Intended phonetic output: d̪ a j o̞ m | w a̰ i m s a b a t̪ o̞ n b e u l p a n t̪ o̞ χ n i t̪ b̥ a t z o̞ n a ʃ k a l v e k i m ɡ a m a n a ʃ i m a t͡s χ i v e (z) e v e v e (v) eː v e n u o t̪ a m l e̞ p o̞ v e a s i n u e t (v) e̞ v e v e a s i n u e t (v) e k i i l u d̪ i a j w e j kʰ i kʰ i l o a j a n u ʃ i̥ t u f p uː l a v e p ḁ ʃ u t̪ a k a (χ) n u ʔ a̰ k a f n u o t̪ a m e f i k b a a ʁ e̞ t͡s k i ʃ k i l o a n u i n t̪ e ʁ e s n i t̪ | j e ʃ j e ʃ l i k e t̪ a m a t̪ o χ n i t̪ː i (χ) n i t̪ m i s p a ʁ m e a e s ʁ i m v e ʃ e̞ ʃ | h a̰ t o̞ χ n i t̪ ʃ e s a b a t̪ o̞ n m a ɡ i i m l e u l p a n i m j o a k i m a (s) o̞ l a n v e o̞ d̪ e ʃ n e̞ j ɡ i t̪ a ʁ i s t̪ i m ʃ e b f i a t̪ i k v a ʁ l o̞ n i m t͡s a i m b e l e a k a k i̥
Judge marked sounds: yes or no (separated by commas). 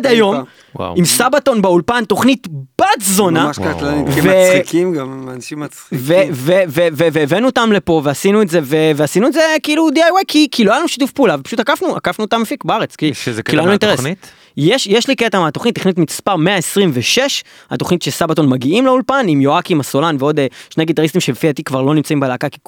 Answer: no, yes, no, no, no, yes, yes